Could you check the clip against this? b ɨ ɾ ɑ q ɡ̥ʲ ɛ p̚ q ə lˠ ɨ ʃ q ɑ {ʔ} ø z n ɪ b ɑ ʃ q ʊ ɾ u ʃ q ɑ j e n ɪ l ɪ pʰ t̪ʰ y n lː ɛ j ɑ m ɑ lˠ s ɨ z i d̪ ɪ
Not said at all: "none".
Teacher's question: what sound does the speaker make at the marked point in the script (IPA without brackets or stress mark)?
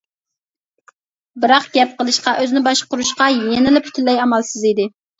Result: ʔ